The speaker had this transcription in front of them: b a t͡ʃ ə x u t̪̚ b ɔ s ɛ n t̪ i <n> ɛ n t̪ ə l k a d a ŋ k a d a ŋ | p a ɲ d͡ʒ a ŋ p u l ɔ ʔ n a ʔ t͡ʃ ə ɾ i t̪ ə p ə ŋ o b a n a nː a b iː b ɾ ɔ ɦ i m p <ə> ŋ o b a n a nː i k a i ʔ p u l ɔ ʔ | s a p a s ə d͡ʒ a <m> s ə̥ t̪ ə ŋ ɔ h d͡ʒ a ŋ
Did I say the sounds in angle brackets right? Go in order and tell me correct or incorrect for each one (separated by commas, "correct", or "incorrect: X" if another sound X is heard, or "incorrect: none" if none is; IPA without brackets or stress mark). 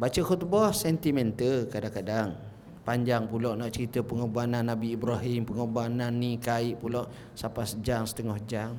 incorrect: m, correct, incorrect: ŋ